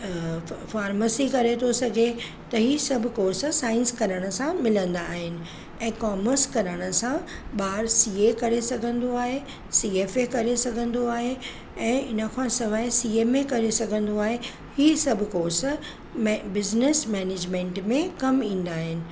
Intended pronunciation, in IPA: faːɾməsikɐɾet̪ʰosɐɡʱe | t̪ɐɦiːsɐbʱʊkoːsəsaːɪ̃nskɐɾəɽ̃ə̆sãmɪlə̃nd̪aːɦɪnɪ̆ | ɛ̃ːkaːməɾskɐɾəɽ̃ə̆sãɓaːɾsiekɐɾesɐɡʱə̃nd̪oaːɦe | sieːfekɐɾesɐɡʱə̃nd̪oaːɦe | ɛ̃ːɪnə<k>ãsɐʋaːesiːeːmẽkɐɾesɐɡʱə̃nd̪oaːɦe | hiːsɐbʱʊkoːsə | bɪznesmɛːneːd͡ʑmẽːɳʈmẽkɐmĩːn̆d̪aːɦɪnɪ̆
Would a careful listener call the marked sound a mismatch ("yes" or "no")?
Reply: yes